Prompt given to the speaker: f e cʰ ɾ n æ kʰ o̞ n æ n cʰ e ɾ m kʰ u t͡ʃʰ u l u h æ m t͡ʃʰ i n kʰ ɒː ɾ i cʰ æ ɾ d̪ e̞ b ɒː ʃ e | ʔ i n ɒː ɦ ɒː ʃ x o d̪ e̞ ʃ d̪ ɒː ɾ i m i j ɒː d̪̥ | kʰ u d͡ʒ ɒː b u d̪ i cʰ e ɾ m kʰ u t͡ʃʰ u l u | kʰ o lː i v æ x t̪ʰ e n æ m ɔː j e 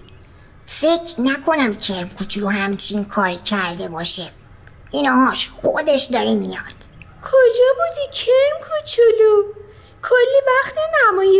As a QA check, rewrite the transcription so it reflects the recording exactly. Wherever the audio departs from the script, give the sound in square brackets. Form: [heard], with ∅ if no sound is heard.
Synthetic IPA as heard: f e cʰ ɾ n æ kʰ o̞ n æ [m] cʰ e ɾ m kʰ u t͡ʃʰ u l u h æ m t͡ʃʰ i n kʰ ɒː ɾ i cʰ æ ɾ d̪ e̞ b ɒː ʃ e | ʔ i n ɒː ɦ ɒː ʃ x o d̪ e̞ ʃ d̪ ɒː ɾ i m i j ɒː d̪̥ | kʰ [o] d͡ʒ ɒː b u d̪ i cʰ e ɾ m kʰ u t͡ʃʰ u l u | kʰ o lː i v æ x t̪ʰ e n æ m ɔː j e